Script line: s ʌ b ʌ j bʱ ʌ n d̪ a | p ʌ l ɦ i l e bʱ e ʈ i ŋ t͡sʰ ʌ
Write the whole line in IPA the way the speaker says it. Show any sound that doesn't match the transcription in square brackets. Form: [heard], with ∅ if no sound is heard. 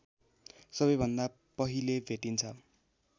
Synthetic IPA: s ʌ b ʌ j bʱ ʌ n d̪ a | p ʌ [∅] ɦ i l e bʱ e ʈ i [n] t͡sʰ ʌ

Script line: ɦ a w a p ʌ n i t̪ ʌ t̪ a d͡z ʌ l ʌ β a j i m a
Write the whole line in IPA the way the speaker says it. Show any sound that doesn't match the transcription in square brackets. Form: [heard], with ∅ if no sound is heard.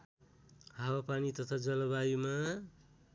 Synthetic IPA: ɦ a w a p [a] n i t̪ ʌ [t̪ʰ] a d͡z ʌ l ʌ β a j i m a

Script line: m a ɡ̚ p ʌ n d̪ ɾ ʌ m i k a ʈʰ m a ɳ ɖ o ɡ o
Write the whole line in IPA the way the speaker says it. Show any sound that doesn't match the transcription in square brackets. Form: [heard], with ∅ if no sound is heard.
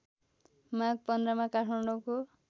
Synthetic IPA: m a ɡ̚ p ʌ n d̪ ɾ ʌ m [a] k a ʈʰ m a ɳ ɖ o [k] o

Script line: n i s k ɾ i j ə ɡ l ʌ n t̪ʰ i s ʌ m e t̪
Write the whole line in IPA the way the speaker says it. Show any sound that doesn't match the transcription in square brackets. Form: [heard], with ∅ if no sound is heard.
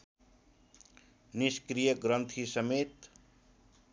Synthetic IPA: n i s k ɾ i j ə ɡ [ɾ] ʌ n t̪ʰ i s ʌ m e t̪

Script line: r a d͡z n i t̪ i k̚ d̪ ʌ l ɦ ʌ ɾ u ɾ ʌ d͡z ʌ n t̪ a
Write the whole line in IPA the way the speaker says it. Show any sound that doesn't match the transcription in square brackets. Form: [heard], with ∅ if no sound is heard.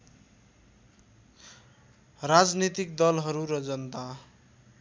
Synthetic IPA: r a d͡z n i t̪ i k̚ d̪ ʌ l ɦ ʌ ɾ u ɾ ʌ d͡z ʌ n t̪ a

